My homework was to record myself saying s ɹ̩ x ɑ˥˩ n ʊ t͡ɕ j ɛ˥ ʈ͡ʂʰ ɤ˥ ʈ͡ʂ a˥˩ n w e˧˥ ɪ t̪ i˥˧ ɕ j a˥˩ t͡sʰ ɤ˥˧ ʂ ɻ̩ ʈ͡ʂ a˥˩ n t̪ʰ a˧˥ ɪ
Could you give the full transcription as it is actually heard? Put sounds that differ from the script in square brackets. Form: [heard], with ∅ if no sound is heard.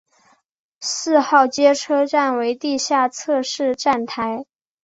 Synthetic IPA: s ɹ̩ x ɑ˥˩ [∅] ʊ t͡ɕ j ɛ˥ ʈ͡ʂʰ ɤ˥ ʈ͡ʂ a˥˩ n w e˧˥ ɪ t̪ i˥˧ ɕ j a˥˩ t͡sʰ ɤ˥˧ ʂ ɻ̩ ʈ͡ʂ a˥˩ n t̪ʰ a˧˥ ɪ